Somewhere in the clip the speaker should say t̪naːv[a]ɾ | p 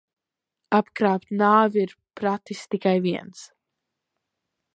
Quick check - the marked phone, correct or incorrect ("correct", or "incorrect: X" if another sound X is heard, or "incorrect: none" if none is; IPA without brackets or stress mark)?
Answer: incorrect: i